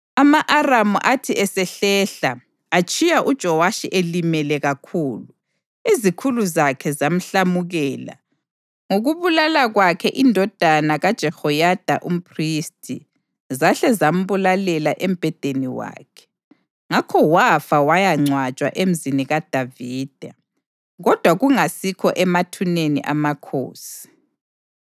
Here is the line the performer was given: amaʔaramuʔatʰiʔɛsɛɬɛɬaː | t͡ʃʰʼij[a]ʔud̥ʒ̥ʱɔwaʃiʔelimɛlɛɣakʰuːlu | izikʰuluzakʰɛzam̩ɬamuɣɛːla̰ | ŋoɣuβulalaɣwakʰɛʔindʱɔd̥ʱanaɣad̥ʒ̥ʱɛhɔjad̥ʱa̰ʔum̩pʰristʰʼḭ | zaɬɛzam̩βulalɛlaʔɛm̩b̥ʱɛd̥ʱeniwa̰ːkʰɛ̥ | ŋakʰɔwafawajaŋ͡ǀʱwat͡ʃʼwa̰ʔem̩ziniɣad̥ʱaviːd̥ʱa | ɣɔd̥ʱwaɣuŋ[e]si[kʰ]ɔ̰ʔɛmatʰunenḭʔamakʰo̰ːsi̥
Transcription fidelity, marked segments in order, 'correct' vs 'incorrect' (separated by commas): correct, incorrect, correct